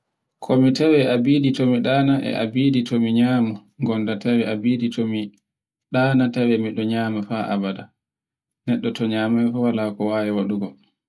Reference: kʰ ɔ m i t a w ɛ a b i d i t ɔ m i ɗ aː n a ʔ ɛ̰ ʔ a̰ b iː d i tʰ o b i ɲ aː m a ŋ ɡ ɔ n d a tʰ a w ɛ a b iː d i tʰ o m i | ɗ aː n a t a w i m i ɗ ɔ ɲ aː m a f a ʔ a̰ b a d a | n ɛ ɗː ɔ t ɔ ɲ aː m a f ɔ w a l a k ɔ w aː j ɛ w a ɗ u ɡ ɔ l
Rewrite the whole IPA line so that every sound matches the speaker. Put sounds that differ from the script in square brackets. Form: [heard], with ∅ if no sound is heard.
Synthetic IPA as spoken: kʰ ɔ m i t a w ɛ a b i d i t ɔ m i ɗ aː n a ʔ ɛ̰ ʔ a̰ b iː d i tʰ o [m] i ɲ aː m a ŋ ɡ ɔ n d a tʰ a w ɛ a b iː d i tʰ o m i | ɗ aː n a t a w [ɛ] m i ɗ ɔ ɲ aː m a f a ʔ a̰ b a d a | n ɛ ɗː ɔ t ɔ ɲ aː m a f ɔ w a l a k ɔ w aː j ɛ w a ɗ u ɡ ɔ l